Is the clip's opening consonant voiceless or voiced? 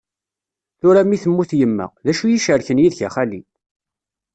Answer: voiceless